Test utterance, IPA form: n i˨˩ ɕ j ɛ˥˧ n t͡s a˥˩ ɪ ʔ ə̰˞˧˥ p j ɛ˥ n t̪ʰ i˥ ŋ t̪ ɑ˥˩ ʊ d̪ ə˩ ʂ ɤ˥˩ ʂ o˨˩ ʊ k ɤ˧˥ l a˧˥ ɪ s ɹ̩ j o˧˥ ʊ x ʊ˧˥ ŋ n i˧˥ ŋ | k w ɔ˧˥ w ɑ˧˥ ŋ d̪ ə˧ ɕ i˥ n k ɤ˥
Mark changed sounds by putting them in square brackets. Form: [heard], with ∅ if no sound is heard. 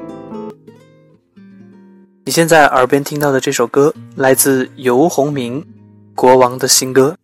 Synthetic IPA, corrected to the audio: n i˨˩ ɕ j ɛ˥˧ n t͡s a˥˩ ɪ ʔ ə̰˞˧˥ p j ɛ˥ n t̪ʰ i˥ ŋ t̪ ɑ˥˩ ʊ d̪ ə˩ [ʈ͡ʂ] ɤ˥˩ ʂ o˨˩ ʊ k [ɤ˥] l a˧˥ ɪ [t͡s] ɹ̩ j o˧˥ ʊ x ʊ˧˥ ŋ [m] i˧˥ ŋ | k w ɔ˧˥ w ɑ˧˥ ŋ d̪ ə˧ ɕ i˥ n k ɤ˥